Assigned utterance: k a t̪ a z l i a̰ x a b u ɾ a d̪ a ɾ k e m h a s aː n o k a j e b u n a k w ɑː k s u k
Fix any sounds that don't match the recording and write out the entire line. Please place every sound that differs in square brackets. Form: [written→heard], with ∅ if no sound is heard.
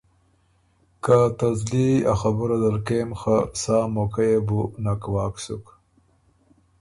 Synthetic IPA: k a t̪ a z l i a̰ x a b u ɾ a d̪ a ɾ k e m [h→x] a s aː [n→m] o k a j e b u n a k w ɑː k s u k